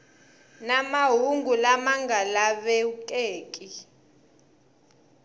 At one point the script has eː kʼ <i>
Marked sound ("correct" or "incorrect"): correct